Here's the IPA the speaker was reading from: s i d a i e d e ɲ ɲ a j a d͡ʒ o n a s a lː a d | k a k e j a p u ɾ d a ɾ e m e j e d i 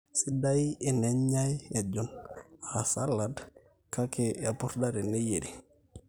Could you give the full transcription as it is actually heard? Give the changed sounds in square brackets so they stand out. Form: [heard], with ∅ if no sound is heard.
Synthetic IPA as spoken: s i d a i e [n] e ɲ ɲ a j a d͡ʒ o n a s a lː a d | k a k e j a p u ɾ d a ɾ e [n] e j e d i